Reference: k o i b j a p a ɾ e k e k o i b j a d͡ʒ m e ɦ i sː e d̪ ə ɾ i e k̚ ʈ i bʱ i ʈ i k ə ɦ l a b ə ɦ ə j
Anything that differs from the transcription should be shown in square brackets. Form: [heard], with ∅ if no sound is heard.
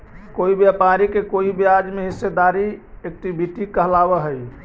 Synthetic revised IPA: k o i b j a p a ɾ [i] k e k o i b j a d͡ʒ m e ɦ i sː e d̪ [a] ɾ i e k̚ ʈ i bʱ i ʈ i k ə ɦ l a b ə ɦ ə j